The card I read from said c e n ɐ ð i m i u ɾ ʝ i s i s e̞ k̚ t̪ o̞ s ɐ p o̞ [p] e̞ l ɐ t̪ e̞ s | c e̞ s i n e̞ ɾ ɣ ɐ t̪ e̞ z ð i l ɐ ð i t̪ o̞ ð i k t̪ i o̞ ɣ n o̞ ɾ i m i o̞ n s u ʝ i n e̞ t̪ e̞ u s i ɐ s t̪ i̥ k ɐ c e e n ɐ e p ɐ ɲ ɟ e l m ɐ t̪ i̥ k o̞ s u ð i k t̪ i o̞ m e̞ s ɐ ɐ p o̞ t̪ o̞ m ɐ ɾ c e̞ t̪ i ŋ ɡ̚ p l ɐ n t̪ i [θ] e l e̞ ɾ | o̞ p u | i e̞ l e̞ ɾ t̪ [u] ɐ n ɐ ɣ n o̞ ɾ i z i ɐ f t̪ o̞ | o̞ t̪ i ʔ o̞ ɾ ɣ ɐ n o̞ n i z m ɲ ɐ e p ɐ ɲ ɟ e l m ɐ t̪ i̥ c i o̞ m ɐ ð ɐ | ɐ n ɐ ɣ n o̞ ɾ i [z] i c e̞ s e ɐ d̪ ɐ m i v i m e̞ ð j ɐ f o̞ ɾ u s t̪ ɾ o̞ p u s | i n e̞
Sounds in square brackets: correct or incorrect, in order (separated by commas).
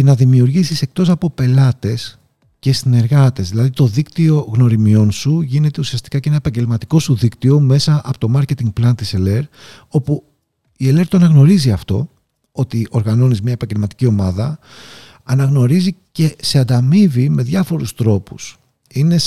correct, incorrect, incorrect, correct